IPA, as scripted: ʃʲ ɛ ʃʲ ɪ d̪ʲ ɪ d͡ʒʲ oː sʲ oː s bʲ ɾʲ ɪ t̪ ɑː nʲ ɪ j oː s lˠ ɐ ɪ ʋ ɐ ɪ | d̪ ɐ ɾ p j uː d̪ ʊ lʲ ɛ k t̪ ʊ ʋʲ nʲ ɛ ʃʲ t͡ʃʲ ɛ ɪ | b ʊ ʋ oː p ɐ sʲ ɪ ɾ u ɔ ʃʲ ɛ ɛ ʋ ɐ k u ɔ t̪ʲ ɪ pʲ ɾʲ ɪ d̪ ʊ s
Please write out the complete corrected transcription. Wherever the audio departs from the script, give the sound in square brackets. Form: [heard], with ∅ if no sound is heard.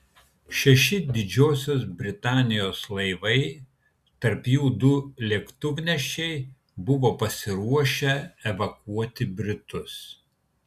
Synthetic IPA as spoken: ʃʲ ɛ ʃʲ ɪ d̪ʲ ɪ d͡ʒʲ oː sʲ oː s bʲ ɾʲ ɪ t̪ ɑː nʲ ɪ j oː s lˠ ɐ ɪ ʋ ɐ ɪ | [t̪] ɐ ɾ p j uː d̪ ʊ lʲ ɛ k t̪ ʊ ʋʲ nʲ ɛ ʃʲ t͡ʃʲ ɛ ɪ | b ʊ ʋ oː p ɐ sʲ ɪ ɾ u ɔ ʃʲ ɛ ɛ ʋ ɐ k u ɔ t̪ʲ ɪ [bʲ] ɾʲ ɪ [t̪] ʊ s